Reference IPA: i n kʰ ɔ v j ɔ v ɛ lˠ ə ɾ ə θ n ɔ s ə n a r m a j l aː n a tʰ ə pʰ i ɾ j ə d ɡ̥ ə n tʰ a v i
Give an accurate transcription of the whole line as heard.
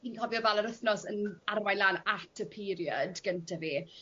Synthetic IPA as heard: i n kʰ ɔ v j ɔ v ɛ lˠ ə ɾ ə θ n ɔ s ə n a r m a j l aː n a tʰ ə pʰ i ɾ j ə d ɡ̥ ə n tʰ a v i